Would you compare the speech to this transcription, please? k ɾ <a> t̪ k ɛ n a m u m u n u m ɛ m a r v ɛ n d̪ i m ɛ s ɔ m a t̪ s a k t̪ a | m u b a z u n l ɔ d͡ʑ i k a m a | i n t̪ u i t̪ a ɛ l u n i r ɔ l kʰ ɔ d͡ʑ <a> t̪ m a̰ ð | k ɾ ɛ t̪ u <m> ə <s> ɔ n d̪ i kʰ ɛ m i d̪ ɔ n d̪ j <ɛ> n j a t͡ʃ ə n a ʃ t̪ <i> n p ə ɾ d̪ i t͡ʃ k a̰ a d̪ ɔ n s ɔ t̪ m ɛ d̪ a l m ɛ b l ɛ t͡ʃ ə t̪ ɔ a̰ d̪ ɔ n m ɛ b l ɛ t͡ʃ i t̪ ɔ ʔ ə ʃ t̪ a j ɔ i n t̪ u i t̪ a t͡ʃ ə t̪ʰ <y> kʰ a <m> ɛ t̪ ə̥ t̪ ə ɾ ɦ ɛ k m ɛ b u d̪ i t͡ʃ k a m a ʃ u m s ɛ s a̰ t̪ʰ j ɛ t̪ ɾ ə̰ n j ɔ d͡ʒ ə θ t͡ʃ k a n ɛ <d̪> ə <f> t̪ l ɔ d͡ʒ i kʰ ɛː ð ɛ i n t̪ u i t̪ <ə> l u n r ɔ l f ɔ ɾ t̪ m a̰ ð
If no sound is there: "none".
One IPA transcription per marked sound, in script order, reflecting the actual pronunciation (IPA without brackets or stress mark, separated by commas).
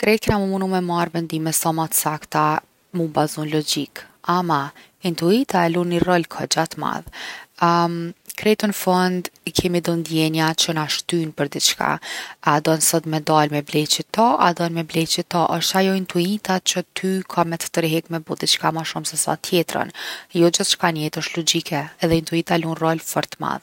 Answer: ɛ, a, n, f, ɛ, y, y, m, t̪, ʃ, a